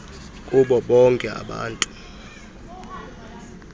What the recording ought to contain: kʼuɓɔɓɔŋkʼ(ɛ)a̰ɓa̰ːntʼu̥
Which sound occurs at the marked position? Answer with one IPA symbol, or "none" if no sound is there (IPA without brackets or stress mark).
ɛ